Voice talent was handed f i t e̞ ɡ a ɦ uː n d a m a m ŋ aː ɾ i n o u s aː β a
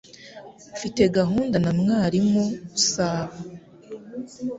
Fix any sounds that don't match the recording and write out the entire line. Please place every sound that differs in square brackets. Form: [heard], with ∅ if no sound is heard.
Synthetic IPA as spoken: f i t e̞ ɡ a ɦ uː n d a [n] a m ŋ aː ɾ i [m] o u s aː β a

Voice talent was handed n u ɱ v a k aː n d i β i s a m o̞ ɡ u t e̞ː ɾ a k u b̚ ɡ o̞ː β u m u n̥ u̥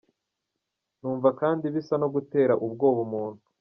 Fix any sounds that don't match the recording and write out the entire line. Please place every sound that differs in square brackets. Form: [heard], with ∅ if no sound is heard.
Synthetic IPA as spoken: n [uː] ɱ v a k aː n d i β i s a [n] o̞ ɡ u t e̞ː ɾ a [ʔ] u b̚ ɡ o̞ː β u m [uː] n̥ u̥

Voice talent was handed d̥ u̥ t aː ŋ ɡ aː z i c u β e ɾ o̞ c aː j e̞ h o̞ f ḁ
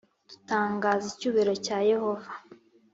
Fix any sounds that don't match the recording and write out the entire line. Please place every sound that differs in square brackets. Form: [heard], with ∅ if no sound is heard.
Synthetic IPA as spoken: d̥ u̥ t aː ŋ ɡ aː z i c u β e ɾ o̞ c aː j e̞ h o̞ [v] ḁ

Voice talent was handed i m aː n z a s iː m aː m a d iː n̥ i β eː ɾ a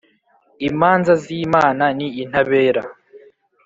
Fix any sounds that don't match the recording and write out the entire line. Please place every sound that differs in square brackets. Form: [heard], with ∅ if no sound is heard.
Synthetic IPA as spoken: i m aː n z a [z] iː m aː [n] a [n] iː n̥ [a] β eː ɾ a

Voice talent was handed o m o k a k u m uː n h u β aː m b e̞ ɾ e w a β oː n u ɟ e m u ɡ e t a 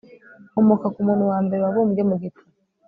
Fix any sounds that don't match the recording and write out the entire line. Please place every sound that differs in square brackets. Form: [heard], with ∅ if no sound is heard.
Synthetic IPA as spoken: o m o k a k u m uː n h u [w] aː m b e̞ ɾ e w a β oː [m] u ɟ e m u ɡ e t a

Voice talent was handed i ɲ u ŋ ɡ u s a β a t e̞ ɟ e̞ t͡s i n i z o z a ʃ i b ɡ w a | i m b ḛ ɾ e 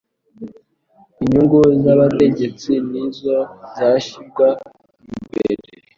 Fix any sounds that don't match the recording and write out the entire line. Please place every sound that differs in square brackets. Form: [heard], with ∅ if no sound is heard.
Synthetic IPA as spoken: i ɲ u ŋ ɡ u [z] a β a t e̞ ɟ e̞ t͡s i n i z o z a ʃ i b ɡ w a | i m b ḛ ɾ e

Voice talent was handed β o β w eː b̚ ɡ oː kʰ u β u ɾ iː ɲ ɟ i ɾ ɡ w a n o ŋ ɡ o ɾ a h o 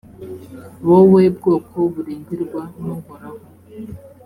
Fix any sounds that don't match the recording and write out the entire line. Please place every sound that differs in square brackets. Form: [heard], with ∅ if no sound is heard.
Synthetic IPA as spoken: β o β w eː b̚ ɡ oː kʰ [o] β u ɾ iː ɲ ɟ i ɾ ɡ w a n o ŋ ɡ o ɾ a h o

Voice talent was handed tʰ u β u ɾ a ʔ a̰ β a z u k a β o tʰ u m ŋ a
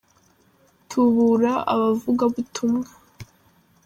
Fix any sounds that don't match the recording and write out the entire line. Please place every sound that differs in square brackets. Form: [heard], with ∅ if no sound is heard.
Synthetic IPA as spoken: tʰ u β u ɾ a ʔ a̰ β a [v] u [ɡ] a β [u] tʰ u m ŋ a

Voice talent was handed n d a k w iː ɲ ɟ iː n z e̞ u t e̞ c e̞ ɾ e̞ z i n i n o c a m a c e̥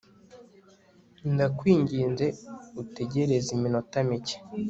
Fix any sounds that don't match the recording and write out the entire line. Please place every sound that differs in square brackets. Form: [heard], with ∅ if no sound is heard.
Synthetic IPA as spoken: n d a k w iː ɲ ɟ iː n z e̞ u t e̞ [ɟ] e̞ ɾ e̞ z i [m] i n o [t] a m [i] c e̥

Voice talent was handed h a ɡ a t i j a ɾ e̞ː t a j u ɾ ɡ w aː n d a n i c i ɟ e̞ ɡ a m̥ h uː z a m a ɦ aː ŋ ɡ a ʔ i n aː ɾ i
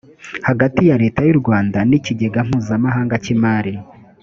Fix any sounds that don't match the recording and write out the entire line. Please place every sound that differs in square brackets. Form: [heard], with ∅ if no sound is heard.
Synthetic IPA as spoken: h a ɡ a t i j a ɾ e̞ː t a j u ɾ ɡ w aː n d a n i c i ɟ e̞ ɡ a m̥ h uː z a m a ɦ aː ŋ ɡ a [c] i [m] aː ɾ i

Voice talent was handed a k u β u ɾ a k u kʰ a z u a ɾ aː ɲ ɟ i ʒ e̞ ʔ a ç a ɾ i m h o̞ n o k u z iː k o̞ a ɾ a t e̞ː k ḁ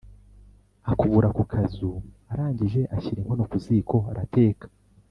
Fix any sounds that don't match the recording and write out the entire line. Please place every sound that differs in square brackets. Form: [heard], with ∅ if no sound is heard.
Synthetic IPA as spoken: a k u β u ɾ a k u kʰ a z u a ɾ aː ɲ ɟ i ʒ e̞ ʔ a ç [i] ɾ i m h o̞ n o k u z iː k o̞ a ɾ a t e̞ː k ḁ

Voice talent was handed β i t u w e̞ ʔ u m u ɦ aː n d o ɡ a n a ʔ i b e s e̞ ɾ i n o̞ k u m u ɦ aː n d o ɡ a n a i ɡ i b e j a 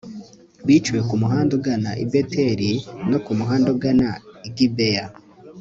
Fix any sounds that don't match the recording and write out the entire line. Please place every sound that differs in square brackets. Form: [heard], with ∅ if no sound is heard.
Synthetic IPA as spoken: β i [t͡ʃ] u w e̞ [k] u m u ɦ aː n d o ɡ a n a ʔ i b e [t] e̞ ɾ i n o̞ k u m u ɦ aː n d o ɡ a n a i ɡ i b e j a

